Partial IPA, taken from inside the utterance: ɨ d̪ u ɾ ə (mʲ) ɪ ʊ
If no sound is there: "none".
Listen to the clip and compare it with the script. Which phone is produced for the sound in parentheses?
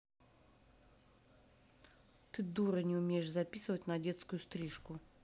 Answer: nʲ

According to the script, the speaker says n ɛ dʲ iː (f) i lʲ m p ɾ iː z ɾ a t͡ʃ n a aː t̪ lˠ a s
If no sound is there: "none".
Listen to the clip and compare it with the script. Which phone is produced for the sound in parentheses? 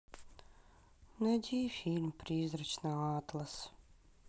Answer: f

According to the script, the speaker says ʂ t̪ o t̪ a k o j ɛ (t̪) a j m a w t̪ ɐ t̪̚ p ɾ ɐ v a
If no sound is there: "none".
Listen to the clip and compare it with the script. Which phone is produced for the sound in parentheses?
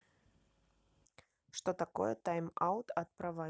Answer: t̪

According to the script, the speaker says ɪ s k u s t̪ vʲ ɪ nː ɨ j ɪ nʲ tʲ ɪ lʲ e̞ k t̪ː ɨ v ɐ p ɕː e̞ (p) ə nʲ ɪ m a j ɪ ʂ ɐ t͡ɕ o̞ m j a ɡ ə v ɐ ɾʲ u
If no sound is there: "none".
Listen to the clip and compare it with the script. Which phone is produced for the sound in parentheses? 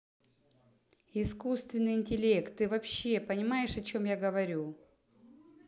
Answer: p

